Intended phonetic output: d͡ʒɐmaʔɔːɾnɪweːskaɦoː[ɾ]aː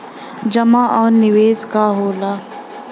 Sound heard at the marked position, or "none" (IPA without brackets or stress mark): l